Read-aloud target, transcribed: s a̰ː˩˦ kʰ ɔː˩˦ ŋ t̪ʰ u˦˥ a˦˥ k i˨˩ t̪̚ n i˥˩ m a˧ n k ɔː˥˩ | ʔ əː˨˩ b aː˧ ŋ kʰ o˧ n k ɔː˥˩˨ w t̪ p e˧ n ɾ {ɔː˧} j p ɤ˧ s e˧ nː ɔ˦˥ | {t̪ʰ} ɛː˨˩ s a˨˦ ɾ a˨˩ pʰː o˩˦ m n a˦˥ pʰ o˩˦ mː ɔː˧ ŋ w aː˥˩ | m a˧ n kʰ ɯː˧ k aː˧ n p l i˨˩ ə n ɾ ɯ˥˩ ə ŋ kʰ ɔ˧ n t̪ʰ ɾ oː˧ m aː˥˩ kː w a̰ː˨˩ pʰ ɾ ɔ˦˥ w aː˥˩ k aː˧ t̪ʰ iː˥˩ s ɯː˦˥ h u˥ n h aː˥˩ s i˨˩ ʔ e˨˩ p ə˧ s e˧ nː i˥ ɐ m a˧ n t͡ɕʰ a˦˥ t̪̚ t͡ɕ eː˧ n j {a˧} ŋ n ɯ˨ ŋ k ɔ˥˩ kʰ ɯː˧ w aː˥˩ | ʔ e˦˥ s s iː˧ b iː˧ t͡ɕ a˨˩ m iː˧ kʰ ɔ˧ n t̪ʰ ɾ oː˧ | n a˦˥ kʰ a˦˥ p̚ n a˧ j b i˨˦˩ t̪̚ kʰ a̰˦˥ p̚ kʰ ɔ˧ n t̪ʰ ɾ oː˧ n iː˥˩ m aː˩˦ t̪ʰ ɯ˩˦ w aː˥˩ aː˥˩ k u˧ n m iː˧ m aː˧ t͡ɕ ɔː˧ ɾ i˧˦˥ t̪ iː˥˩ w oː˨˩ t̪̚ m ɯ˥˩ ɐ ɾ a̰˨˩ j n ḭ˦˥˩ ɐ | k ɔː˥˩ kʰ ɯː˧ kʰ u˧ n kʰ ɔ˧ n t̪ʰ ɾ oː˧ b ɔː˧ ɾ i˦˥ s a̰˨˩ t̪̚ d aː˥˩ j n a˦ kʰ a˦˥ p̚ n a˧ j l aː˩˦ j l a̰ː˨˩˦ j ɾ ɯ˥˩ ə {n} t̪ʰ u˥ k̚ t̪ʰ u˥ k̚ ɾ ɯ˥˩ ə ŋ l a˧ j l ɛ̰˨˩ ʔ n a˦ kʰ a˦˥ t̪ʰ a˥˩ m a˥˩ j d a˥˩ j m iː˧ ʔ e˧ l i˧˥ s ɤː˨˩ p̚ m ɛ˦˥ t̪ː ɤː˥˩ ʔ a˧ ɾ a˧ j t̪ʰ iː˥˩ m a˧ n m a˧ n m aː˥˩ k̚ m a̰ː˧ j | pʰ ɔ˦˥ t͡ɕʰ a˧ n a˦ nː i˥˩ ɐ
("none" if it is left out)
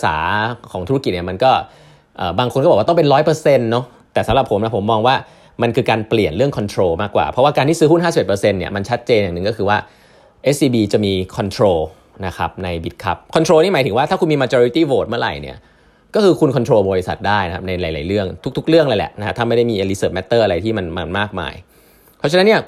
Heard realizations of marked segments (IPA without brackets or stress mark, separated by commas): ɔː˦˥, t̪, a˨˩, ŋ